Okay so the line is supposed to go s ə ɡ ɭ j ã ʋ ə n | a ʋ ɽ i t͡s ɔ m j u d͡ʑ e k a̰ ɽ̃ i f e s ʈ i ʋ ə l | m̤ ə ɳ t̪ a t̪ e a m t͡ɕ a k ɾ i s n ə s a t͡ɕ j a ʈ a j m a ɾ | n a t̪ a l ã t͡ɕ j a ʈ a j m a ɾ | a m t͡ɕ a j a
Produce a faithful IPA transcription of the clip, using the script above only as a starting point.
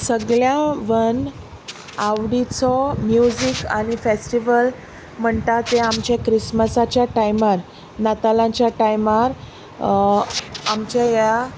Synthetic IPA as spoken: s ə ɡ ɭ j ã ʋ ə n | a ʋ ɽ i t͡s ɔ m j u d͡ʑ i k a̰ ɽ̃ i f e s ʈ i ʋ ə l | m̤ ə ɳ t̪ a t̪ e a m t͡ɕ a k ɾ i s m ə s a t͡ɕ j a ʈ a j m a ɾ | n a t̪ a l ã t͡ɕ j a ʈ a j m a ɾ | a m t͡ɕ a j a